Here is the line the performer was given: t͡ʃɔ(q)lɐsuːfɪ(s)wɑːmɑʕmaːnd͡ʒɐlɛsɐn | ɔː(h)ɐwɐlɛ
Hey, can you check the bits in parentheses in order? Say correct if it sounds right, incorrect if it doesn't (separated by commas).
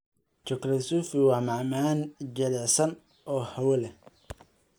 incorrect, incorrect, correct